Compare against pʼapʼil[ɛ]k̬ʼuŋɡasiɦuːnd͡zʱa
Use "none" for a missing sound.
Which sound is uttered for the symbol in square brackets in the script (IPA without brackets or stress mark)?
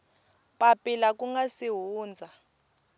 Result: a